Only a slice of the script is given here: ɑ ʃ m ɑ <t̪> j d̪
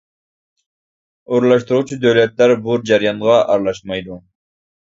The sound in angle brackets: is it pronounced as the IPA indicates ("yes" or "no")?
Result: no